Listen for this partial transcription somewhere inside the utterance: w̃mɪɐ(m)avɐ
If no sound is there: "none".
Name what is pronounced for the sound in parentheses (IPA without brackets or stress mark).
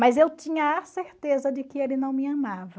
m